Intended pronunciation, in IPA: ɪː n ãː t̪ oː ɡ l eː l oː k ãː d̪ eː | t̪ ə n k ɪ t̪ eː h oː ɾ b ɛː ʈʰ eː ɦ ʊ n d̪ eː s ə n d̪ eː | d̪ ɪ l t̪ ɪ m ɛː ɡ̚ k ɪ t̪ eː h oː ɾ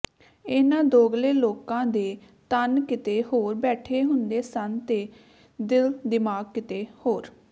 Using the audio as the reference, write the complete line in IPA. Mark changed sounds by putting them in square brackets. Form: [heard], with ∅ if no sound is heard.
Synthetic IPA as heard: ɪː n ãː [d̪] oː ɡ l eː l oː k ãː d̪ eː | t̪ ə n k ɪ t̪ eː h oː ɾ b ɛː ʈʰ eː ɦ ʊ n d̪ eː s ə n [t̪] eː | d̪ ɪ l [d̪] ɪ m [aː] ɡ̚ k ɪ t̪ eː h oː ɾ